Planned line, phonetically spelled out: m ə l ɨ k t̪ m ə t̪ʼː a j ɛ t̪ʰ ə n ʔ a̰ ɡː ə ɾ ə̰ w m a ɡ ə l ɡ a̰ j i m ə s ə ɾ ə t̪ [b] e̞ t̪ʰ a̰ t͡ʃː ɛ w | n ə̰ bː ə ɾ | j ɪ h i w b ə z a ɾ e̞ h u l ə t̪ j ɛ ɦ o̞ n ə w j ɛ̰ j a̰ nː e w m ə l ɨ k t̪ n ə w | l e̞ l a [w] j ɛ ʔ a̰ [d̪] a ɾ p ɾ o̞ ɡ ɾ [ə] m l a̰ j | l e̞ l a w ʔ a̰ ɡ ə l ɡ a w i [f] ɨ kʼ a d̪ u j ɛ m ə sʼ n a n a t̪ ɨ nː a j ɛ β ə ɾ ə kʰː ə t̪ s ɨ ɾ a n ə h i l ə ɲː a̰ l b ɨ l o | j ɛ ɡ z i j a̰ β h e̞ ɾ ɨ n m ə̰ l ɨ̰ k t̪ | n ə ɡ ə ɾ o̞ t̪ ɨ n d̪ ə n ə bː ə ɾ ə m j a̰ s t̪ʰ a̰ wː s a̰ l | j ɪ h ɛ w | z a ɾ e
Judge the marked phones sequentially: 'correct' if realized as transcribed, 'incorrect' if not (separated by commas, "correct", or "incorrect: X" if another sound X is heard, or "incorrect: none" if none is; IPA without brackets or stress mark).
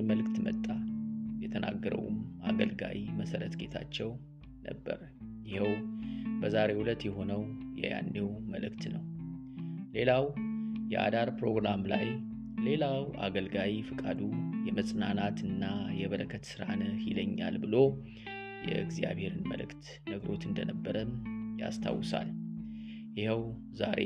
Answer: incorrect: ɡ, correct, correct, incorrect: a, correct